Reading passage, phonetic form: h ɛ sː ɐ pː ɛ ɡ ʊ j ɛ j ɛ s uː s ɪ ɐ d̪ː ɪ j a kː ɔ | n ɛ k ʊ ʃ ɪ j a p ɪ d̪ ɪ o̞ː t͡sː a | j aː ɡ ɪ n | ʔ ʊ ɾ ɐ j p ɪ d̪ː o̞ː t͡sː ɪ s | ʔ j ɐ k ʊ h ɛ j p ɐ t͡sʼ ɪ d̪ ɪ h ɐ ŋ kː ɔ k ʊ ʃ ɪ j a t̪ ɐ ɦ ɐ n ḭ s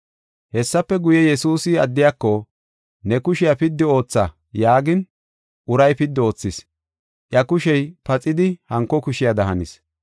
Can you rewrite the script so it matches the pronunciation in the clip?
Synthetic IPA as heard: h ɛ sː ɐ pː ɛ ɡ ʊ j ɛ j ɛ s uː s ɪ ɐ d̪ː ɪ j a kː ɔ | n ɛ k ʊ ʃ ɪ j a p ɪ d̪ː ɪ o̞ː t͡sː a | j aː ɡ ɪ n | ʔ ʊ ɾ ɐ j p ɪ d̪ː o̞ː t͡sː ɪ s | ʔ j ɐ k ʊ ʃ ɛ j p ɐ t͡sʼ ɪ d̪ ɪ h ɐ ŋ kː ɔ k ʊ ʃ ɪ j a d̪ ɐ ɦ ɐ n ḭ s